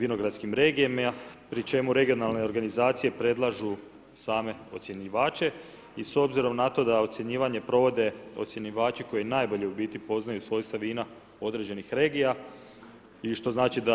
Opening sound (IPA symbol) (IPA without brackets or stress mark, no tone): ʋ